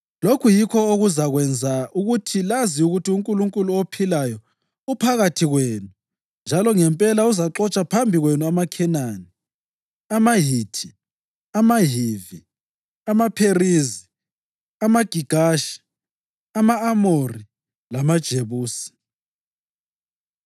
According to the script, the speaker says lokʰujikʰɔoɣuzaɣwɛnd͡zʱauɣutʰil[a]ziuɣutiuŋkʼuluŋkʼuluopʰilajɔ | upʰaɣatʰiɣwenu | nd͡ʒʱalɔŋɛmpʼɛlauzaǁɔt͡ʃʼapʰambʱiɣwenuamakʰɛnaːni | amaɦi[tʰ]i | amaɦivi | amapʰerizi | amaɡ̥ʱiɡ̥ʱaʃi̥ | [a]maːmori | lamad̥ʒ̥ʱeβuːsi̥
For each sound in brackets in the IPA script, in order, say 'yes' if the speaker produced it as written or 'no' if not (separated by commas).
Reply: yes, yes, yes